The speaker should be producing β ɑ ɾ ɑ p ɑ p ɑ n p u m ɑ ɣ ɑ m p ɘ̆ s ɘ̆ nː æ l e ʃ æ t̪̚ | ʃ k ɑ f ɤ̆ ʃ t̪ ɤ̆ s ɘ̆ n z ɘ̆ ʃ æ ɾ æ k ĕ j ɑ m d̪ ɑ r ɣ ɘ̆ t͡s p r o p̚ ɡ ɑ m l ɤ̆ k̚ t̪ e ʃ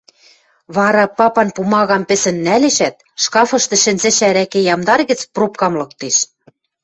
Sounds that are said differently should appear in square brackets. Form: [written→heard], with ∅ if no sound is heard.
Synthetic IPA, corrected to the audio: β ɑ ɾ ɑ p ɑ p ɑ n p u m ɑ ɣ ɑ m p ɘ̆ s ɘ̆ nː æ l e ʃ æ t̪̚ | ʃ k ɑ f ɤ̆ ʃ t̪ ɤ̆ [s→ʃ] ɘ̆ n z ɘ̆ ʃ æ ɾ æ k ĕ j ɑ m d̪ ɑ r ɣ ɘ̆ t͡s p r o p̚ [ɡ→k] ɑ m l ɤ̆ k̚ t̪ e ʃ

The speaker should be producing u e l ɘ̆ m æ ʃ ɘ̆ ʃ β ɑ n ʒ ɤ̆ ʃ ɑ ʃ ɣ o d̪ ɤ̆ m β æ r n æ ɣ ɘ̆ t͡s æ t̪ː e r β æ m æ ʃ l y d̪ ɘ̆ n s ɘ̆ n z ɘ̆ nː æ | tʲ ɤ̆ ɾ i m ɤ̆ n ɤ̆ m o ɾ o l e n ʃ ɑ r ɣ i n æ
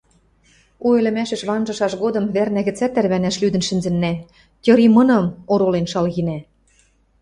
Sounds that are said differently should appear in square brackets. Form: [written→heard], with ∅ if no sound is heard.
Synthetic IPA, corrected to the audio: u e l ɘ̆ m æ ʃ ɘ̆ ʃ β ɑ n ʒ ɤ̆ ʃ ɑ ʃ ɣ o d̪ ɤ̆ m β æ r n æ ɣ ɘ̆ t͡s æ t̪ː [e→æ] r β æ [m→n] æ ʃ l y d̪ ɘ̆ n [s→ʃ] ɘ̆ n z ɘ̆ nː æ | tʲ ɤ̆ ɾ i m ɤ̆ n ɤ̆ m o ɾ o l e n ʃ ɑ [r→l] ɣ i n æ

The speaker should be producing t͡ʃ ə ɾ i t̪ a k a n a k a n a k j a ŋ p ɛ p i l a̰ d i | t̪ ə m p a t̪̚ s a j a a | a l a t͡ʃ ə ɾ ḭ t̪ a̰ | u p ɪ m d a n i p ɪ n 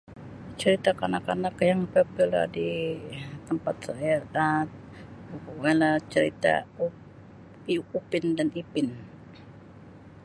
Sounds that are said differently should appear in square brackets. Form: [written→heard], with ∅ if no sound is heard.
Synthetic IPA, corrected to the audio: t͡ʃ ə ɾ i t̪ a k a n a k a n a k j a ŋ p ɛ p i l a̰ d i | t̪ ə m p a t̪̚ s a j a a | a l a t͡ʃ ə ɾ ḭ t̪ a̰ | u p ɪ [m→n] d a n i p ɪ n

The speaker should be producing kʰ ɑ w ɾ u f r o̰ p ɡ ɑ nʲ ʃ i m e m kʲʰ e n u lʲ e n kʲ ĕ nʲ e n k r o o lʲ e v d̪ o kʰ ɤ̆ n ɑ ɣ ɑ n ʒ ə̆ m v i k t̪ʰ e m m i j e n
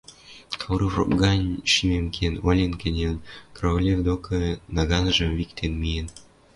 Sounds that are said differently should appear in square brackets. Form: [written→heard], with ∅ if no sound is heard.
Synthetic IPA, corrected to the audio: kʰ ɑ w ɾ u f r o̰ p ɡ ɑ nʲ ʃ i m e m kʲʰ e n [u→o] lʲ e n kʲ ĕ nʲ e n k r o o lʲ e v d̪ o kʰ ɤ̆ n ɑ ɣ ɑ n ʒ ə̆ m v i k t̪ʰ e [m→n] m i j e n

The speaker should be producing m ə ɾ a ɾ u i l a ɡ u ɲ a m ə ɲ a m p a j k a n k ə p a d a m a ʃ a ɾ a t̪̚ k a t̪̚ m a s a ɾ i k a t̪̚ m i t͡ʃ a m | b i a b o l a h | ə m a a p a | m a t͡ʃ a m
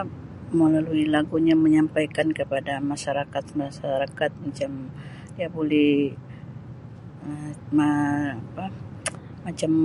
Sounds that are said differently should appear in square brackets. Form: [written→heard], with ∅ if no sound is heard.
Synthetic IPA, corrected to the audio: m ə [ɾ→l] a [ɾ→l] u i l a ɡ u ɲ a m ə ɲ a m p a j k a n k ə p a d a m a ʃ a ɾ a [t̪̚→∅] k a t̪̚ m a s a ɾ [i→a] k a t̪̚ m [i→a] t͡ʃ a m | [b→d] i a b o l [a→ɛ] h | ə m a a p a | m a t͡ʃ a m

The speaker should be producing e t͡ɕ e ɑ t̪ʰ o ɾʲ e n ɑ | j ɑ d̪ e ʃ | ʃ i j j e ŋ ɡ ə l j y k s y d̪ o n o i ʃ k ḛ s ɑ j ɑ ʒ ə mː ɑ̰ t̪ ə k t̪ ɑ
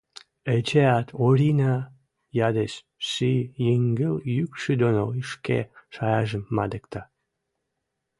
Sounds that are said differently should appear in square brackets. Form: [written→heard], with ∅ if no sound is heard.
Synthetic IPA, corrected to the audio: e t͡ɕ e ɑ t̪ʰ o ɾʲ [e→i] n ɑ | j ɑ d̪ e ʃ | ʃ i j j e ŋ ɡ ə l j y k [s→ʃ] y d̪ o n o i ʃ k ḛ [s→ʃ] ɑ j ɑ ʒ ə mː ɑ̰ [t̪→d̪] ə k t̪ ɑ

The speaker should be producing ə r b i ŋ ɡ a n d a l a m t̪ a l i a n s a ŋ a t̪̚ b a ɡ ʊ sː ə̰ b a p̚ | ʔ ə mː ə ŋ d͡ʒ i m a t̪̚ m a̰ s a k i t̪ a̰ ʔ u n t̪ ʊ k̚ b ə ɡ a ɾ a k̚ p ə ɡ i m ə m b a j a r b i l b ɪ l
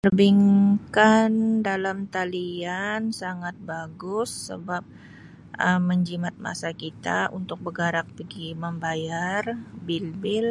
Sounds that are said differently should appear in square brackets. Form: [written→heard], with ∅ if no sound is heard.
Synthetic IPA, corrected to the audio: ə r b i ŋ [ɡ→k] a n d a l a m t̪ a l i a n s a ŋ a t̪̚ b a ɡ ʊ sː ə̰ b a p̚ | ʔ ə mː ə [ŋ→ɲ] d͡ʒ i m a t̪̚ m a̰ s a k i t̪ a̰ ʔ u n t̪ ʊ k̚ b ə ɡ a ɾ a k̚ p ə ɡ i m ə m b a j a r b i l b ɪ l

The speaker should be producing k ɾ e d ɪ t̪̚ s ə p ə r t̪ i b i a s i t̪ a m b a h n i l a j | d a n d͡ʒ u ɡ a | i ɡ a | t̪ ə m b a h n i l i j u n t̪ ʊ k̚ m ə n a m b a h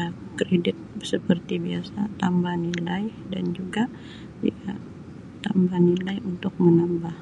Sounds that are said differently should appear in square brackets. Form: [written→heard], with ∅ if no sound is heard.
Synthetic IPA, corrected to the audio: k ɾ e d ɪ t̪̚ s ə p ə r t̪ i b i a s [i→a] t̪ a m b a h n i l a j | d a n d͡ʒ u ɡ a | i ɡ a | t̪ [ə→a] m b a h n i l [i→a] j u n t̪ ʊ k̚ m ə n a m b a h

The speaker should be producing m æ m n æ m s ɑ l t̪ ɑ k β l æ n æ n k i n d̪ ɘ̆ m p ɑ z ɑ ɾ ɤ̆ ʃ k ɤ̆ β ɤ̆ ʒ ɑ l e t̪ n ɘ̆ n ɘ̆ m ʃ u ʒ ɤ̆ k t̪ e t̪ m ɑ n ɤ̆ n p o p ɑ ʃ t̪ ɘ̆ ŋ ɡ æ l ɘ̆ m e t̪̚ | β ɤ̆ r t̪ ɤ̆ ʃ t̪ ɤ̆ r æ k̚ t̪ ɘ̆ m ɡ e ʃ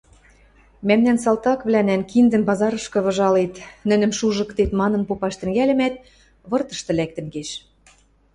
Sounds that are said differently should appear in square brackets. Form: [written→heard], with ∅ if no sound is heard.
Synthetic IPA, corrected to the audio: m æ m n æ [m→n] s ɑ l t̪ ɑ k β l æ n æ n k i n d̪ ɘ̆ m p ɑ z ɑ ɾ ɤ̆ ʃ k ɤ̆ β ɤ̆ ʒ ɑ l e t̪ n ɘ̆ n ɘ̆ m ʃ u ʒ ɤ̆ k t̪ e t̪ m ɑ n ɤ̆ n p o p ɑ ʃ t̪ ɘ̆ ŋ ɡ æ l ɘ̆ m [e→æ] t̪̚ | β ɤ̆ r t̪ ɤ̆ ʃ t̪ ɤ̆ [r→l] æ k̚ t̪ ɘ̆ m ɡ e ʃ

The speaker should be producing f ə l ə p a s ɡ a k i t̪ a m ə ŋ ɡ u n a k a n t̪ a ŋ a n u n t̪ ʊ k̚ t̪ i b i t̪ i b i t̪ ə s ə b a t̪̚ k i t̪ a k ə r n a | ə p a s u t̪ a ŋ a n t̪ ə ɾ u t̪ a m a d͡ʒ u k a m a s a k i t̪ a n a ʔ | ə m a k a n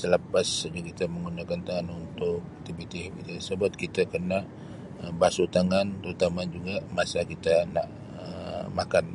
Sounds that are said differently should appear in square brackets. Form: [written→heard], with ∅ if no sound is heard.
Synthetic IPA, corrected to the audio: [f→s] ə l ə p a s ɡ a k i t̪ a m ə ŋ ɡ u n a k a n t̪ a ŋ a n u n t̪ ʊ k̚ t̪ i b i t̪ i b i t̪ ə s ə b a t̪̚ k i t̪ a k ə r n a | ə [p→b] a s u t̪ a ŋ a n t̪ ə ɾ u t̪ a m a d͡ʒ u [k→ɡ] a m a s a k i t̪ a n a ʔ | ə m a k a n

